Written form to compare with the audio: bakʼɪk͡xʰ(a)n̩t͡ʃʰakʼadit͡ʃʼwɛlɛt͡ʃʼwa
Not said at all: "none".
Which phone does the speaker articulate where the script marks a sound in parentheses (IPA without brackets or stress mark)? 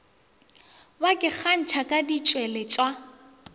a